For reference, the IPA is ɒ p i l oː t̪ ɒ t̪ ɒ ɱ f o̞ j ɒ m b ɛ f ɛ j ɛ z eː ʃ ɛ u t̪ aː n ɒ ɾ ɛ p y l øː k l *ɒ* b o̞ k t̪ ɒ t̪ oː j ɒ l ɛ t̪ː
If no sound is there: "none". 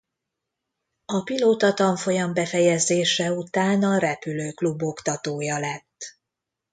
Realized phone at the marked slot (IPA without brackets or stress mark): u